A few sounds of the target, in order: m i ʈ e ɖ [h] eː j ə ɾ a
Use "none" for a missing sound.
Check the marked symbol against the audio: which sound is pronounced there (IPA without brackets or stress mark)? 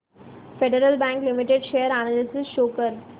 ʃ